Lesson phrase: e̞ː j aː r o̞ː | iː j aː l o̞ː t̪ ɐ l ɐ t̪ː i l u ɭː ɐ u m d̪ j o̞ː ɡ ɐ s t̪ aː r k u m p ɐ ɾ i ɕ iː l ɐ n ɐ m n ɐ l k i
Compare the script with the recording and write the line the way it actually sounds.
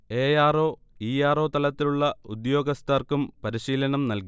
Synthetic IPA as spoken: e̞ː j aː r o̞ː | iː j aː r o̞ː t̪ ɐ l ɐ t̪ː i l u ɭː ɐ u d̪ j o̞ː ɡ ɐ s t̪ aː r k u m p ɐ ɾ i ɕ iː l ɐ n ɐ m n ɐ l k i